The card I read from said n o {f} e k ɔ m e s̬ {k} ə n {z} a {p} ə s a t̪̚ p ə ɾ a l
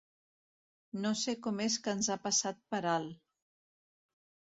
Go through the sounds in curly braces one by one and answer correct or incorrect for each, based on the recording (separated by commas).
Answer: incorrect, correct, correct, correct